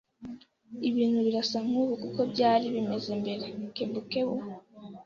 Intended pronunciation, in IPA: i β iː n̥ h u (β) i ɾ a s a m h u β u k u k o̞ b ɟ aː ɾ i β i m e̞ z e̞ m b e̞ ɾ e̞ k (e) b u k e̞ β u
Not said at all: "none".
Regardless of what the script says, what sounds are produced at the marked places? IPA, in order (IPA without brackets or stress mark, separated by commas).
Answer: β, e